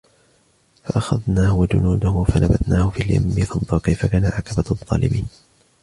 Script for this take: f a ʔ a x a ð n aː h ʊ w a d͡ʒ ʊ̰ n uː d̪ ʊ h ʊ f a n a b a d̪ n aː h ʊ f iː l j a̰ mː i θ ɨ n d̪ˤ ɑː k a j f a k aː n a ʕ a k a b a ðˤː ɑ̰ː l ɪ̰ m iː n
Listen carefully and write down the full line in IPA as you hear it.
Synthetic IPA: f a ʔ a x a ð n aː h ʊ w a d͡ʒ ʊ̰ n uː d̪ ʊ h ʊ f a n a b a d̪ n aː h ʊ f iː l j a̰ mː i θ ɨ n d̪ˤ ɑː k a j f a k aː n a ʕ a k a b a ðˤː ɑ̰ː l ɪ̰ m iː n